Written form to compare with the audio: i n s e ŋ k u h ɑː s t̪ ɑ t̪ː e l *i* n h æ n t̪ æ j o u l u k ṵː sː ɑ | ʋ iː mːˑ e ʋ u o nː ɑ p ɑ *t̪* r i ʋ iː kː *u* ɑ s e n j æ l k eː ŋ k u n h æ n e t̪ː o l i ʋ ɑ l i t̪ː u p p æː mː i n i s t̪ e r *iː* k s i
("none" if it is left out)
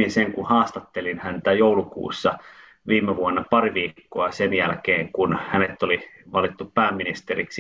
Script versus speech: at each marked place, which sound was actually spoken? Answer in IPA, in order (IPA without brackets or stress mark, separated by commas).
i, none, o, i